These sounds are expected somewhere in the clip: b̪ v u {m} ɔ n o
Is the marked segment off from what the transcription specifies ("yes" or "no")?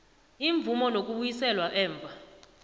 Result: no